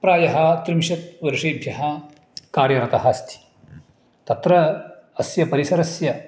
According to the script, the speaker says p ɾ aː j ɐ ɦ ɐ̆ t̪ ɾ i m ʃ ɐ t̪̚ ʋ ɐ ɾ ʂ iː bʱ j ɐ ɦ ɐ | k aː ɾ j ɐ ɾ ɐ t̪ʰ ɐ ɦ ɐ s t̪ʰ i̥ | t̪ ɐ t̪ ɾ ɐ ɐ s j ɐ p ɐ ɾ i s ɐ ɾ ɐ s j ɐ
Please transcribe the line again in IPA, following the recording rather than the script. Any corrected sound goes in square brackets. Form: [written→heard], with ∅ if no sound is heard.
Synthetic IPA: p ɾ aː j ɐ ɦ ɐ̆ t̪ ɾ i m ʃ ɐ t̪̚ ʋ ɐ ɾ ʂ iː bʱ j ɐ ɦ ɐ | k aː ɾ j ɐ ɾ ɐ [t̪ʰ→t̪] ɐ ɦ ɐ s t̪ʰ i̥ | t̪ ɐ t̪ ɾ ɐ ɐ s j ɐ p ɐ ɾ i s ɐ ɾ ɐ s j ɐ